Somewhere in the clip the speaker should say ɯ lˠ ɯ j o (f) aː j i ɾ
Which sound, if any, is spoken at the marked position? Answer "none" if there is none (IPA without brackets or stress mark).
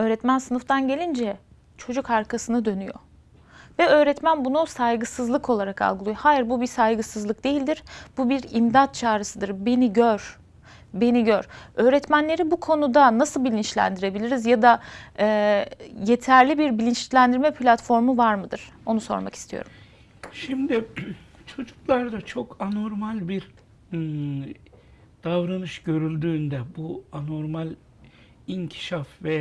h